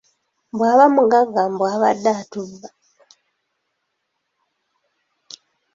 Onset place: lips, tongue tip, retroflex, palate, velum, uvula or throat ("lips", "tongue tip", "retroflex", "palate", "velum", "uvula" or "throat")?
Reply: lips